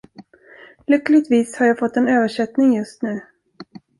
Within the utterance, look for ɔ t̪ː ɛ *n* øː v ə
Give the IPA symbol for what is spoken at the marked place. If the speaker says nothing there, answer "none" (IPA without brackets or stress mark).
n